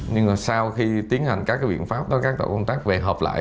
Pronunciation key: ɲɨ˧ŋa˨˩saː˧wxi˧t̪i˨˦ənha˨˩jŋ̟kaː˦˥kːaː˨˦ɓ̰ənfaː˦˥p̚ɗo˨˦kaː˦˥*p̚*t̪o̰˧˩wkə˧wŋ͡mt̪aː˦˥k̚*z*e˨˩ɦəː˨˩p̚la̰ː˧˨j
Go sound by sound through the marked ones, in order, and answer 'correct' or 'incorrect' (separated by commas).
incorrect, incorrect